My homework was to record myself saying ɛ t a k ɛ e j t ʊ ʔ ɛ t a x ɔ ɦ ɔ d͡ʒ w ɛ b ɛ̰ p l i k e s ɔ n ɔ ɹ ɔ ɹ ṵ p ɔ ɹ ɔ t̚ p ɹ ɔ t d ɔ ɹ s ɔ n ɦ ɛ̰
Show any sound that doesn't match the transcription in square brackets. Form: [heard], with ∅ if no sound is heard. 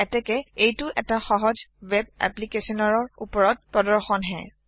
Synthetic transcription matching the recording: ɛ t [ɛ] k ɛ e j t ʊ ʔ ɛ t a x ɔ ɦ ɔ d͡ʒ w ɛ b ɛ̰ p l i k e s ɔ n ɔ ɹ ɔ ɹ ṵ p ɔ ɹ ɔ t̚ p ɹ ɔ [∅] d ɔ ɹ [x] ɔ n ɦ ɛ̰